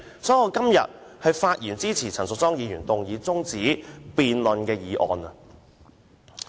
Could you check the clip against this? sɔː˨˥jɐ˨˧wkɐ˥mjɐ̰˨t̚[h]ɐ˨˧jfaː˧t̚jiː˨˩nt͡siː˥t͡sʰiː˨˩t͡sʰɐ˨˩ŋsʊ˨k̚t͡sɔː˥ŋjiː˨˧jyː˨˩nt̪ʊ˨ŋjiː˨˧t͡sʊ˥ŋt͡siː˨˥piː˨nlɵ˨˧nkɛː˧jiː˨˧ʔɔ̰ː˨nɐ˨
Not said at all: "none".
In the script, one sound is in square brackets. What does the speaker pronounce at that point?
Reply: h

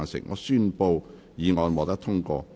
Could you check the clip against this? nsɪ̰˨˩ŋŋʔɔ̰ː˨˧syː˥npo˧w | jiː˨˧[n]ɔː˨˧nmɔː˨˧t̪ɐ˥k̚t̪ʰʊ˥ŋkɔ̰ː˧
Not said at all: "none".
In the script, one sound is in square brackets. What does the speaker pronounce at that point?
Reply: ŋ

